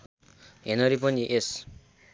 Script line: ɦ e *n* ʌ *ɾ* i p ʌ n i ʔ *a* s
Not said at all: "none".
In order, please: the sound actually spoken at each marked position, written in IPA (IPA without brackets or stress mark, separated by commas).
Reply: n, ɾ, e